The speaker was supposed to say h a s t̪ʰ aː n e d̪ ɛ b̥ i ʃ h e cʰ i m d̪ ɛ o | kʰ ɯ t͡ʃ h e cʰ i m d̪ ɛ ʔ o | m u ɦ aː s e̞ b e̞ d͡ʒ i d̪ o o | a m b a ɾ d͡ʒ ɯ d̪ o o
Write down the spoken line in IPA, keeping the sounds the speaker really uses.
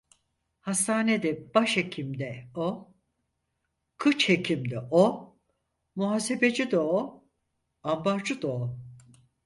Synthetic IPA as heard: h a s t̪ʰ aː n e d̪ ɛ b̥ a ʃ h e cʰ i m d̪ ɛ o | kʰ ɯ t͡ʃ h e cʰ i m d̪ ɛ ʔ o | m u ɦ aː s e̞ b e̞ d͡ʒ i d̪ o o | a m b a ɾ d͡ʒ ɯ d̪ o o